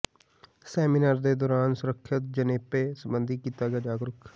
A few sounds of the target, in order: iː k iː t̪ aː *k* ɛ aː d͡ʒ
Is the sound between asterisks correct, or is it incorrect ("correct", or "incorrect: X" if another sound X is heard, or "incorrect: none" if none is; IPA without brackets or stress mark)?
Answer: incorrect: ɡ